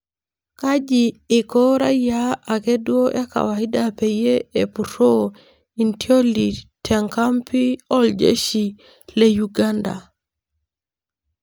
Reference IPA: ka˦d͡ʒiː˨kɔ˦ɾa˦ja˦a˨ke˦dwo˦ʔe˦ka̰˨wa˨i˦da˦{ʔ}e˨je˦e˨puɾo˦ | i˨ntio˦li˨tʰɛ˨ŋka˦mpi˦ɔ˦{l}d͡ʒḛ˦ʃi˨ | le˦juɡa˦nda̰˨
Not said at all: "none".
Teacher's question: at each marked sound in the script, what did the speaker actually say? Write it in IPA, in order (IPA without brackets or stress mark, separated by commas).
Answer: p, l